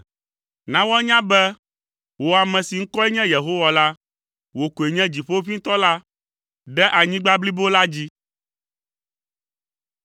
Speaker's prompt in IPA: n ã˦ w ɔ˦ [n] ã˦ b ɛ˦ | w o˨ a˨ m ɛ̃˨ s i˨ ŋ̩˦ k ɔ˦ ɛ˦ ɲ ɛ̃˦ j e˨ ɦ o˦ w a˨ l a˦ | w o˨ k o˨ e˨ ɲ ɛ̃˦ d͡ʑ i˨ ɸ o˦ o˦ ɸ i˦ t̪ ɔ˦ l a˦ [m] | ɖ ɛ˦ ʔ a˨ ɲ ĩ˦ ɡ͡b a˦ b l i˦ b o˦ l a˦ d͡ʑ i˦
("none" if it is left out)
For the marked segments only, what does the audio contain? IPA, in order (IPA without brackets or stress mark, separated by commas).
ɲ, none